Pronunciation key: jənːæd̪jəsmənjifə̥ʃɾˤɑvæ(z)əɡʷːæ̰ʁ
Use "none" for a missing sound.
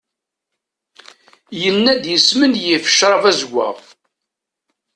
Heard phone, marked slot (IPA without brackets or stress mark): z